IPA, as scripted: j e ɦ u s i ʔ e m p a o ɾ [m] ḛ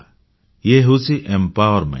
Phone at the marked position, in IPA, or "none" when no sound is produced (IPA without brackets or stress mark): m